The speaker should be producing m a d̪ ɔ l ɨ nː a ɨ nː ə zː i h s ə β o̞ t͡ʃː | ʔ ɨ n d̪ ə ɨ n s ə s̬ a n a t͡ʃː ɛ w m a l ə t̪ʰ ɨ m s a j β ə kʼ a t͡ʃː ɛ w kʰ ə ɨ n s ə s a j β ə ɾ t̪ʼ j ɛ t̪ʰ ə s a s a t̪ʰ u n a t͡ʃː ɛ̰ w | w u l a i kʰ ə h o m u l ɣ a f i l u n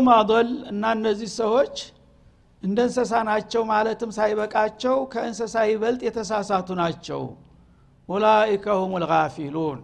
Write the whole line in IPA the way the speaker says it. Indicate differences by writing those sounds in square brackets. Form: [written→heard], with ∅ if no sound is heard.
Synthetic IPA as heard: m a d̪ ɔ l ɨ nː a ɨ nː ə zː i h s ə [β→w] o̞ t͡ʃː | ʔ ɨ n d̪ ə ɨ n s ə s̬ a n a t͡ʃː ɛ w m a l ə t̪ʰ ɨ m s a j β ə kʼ a t͡ʃː ɛ w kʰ ə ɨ n s ə s a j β ə [ɾ→l] t̪ʼ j ɛ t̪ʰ ə s a s a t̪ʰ u n a t͡ʃː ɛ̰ w | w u l a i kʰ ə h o m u l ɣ a f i l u n